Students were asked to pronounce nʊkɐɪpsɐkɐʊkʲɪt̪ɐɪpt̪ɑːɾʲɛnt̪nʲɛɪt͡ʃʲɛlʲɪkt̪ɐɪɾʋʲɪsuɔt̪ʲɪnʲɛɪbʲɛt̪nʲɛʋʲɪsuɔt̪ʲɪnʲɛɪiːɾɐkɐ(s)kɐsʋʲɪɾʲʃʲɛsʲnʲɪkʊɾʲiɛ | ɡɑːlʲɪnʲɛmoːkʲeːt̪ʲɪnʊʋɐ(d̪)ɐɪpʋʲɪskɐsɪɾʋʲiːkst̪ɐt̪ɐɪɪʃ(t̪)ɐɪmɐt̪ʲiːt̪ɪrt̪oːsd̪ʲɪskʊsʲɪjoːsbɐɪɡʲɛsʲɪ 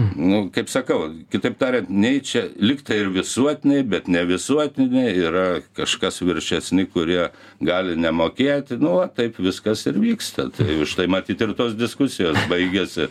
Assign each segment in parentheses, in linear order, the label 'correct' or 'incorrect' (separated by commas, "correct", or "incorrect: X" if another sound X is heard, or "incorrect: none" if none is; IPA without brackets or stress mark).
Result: incorrect: ʃ, incorrect: t̪, correct